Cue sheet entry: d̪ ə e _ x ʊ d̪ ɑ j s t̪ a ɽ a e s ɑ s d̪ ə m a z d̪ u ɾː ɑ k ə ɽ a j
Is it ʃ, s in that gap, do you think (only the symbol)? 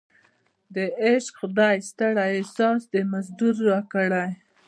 ʃ